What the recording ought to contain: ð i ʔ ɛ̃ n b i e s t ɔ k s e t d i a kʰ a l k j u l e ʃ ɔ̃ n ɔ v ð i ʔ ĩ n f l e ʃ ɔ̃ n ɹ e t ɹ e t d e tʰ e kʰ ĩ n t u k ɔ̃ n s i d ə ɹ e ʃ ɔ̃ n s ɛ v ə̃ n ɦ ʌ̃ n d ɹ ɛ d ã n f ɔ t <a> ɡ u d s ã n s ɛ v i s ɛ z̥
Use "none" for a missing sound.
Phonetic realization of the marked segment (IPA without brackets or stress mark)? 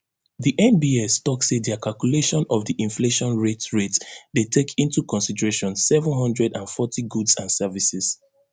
i